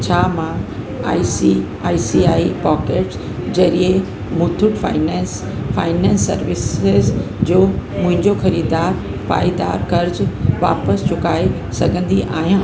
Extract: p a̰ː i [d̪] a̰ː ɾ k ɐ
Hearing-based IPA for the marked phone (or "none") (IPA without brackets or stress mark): d̪